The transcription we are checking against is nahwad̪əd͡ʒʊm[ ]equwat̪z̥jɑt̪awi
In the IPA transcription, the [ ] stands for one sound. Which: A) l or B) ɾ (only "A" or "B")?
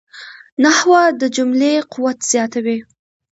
A